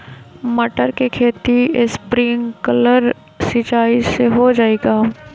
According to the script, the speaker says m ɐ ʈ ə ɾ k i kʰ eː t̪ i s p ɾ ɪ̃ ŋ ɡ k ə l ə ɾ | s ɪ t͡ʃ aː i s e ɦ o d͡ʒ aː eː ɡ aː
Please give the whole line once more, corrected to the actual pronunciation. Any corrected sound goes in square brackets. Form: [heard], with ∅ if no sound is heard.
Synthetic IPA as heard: m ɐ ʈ ə ɾ k [e] kʰ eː t̪ i s p ɾ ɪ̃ ŋ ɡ k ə l ə ɾ | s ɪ t͡ʃ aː i s e ɦ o d͡ʒ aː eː ɡ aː